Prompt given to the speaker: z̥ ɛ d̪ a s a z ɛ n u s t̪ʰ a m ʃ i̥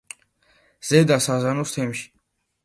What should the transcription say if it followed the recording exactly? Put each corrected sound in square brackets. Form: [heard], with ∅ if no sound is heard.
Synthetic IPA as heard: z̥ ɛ d̪ a s a z [a] n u s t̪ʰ [ɛ] m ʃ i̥